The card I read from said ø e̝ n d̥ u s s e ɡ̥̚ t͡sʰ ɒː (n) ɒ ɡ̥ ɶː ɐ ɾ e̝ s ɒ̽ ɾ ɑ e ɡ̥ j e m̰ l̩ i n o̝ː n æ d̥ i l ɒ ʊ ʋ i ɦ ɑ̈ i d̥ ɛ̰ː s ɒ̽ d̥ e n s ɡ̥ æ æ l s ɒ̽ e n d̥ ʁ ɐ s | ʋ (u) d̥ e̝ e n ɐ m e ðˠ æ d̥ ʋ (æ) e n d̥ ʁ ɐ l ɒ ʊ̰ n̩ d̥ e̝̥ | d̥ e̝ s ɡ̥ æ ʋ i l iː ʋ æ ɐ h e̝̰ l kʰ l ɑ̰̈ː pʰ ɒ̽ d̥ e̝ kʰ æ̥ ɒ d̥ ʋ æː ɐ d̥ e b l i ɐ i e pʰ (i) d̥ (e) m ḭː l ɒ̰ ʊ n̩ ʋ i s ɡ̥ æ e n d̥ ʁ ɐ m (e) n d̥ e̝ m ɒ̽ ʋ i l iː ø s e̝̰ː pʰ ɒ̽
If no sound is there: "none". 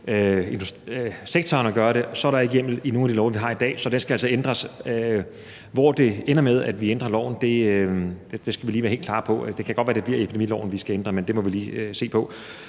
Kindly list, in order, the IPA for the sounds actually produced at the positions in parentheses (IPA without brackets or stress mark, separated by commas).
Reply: n, ɒ, i, i, e, e